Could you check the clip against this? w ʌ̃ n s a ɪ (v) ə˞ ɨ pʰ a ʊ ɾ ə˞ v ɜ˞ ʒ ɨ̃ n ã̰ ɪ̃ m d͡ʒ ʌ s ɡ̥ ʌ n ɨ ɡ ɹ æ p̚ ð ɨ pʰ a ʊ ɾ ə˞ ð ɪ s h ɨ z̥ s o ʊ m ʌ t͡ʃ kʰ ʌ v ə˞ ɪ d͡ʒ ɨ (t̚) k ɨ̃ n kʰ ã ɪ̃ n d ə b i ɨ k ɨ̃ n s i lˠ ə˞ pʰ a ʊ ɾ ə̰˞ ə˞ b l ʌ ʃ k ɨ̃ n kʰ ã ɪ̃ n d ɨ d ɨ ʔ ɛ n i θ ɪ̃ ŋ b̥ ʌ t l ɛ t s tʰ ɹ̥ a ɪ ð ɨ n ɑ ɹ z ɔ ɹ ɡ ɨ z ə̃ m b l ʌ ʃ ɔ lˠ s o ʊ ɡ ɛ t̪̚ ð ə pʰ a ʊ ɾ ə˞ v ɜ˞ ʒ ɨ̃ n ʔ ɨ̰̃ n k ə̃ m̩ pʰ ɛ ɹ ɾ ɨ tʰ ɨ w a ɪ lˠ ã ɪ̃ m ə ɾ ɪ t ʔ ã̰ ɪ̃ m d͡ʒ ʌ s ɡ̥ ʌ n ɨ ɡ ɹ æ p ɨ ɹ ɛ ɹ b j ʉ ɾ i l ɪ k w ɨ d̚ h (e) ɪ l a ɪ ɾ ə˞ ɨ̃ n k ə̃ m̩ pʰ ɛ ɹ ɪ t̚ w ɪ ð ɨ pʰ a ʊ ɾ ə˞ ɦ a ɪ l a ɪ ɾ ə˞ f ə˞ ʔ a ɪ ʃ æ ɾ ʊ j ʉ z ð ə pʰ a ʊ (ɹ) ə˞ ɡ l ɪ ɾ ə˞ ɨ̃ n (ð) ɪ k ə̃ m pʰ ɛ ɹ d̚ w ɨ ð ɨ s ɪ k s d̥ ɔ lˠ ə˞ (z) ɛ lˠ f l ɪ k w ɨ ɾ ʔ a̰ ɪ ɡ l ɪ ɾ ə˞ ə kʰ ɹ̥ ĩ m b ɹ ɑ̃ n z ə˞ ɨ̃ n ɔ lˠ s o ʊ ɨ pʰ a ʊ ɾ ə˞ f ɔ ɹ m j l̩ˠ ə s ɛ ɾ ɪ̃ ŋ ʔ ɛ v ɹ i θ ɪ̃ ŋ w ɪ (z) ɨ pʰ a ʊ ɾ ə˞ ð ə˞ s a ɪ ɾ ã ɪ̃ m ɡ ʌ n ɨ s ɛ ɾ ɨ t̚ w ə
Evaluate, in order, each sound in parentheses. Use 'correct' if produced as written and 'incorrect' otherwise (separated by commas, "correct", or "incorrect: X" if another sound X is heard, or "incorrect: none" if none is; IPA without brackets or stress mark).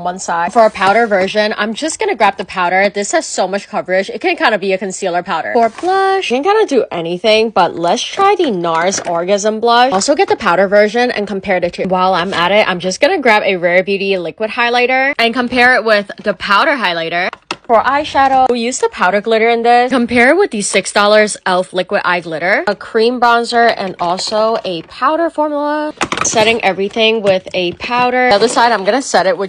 incorrect: f, correct, incorrect: a, incorrect: ɾ, correct, correct, incorrect: ð